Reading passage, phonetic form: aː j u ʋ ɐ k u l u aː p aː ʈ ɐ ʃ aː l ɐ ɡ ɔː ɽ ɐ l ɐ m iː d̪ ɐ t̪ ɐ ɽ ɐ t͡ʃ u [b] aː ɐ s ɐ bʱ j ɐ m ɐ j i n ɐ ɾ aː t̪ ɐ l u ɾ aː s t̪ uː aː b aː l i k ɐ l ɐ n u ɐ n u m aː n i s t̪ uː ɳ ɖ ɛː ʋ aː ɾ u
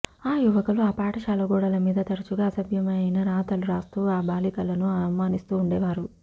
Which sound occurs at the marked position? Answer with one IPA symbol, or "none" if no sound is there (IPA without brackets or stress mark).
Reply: ɡ